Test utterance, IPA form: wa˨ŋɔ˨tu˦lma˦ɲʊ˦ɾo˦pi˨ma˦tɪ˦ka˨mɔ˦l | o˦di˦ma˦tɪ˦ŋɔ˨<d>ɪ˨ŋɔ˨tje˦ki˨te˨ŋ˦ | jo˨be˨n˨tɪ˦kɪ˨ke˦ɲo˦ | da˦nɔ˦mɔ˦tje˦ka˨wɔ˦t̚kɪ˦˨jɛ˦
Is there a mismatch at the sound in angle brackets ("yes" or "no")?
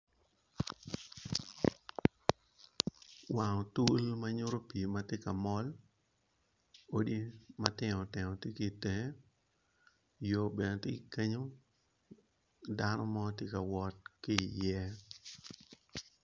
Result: yes